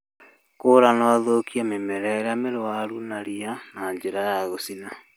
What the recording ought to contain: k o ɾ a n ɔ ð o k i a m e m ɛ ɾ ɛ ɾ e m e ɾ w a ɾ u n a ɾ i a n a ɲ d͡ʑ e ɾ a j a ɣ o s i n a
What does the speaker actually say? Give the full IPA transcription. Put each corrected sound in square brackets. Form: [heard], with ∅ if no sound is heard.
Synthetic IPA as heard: k o ɾ a n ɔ ð o k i a m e m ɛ ɾ ɛ ɾ [a] m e ɾ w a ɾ u n a ɾ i a n a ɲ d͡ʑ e ɾ a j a ɣ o s i n a

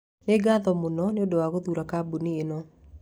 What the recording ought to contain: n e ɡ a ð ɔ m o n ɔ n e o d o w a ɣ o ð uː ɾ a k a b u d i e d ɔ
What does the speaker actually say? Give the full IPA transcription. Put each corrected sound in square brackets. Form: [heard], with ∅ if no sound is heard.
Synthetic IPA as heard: n e ɡ a ð ɔ m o n ɔ n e o d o w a ɣ o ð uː ɾ a k a b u [n] i e [n] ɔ

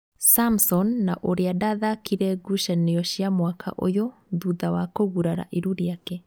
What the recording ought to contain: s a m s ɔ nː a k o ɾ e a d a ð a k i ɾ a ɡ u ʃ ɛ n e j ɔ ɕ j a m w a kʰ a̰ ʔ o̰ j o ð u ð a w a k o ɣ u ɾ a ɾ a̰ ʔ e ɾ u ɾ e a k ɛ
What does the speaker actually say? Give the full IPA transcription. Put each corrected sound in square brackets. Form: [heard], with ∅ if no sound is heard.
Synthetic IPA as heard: s a m s ɔ nː a [ʔ] o ɾ e a d a ð a k i ɾ [ɛ] ɡ u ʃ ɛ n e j ɔ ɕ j a m w a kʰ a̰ ʔ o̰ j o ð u ð a w a k o ɣ u ɾ a ɾ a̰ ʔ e ɾ u ɾ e a k ɛ

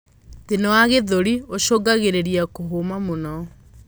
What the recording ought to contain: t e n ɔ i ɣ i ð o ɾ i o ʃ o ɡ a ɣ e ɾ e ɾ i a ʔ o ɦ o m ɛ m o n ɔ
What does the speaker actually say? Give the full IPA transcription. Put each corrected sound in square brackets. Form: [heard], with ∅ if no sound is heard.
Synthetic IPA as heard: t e n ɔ [a] ɣ [e] ð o ɾ i o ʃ o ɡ a ɣ e ɾ e ɾ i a [k] o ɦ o m [a] m o n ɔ

